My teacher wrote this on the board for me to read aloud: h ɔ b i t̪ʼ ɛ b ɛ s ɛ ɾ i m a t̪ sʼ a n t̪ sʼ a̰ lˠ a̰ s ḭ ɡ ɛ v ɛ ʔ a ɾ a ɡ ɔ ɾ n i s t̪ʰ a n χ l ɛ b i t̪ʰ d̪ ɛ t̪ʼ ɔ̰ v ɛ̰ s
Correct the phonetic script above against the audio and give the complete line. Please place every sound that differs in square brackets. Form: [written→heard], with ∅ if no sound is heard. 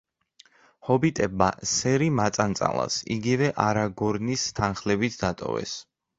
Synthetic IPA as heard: h ɔ b i t̪ʼ ɛ b [ɛ→a] s ɛ ɾ i m a t̪ sʼ a n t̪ sʼ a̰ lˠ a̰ s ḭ ɡ [ɛ→i] v ɛ ʔ a ɾ a ɡ ɔ ɾ n i s t̪ʰ a n χ l ɛ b i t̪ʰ d̪ [ɛ→a] t̪ʼ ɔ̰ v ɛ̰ s